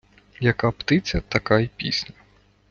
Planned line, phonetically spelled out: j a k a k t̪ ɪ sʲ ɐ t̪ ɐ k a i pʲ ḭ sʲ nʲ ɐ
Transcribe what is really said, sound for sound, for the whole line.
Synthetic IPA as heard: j ɐ k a p t̪ ɪ t͡sʲ ɐ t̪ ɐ k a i pʲ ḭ sʲ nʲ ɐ